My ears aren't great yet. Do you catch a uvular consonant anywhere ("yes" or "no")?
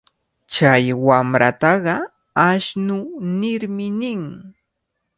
yes